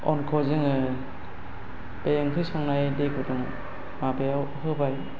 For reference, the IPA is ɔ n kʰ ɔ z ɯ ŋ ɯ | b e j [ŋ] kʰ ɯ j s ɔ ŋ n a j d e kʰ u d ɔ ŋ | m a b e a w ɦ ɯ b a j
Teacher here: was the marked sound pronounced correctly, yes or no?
yes